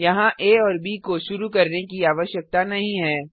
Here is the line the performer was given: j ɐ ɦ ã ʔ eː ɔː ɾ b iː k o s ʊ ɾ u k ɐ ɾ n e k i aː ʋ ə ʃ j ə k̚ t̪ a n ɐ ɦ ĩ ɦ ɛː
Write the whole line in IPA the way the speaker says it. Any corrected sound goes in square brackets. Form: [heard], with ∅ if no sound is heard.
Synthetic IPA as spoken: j ɐ ɦ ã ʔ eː ɔː ɾ b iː k o [ʃ] ʊ ɾ u k ɐ ɾ n e k i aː ʋ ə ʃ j ə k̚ t̪ a n ɐ ɦ ĩ ɦ ɛː